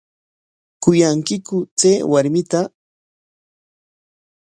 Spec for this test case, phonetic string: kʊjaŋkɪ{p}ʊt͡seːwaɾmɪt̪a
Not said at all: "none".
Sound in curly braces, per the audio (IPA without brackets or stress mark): k